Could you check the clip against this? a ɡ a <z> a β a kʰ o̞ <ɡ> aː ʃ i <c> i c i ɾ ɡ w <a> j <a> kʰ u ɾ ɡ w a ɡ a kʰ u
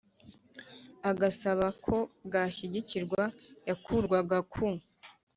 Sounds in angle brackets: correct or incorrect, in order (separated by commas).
incorrect, correct, incorrect, correct, correct